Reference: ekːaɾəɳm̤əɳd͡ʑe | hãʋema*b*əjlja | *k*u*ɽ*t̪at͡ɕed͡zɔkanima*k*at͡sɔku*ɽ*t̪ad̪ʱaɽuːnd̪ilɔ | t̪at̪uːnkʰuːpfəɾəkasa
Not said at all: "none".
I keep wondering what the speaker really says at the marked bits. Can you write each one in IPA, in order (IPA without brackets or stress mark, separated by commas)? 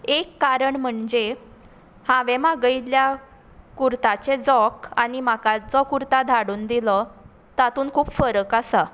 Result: ɡ, k, ɾ, k, ɾ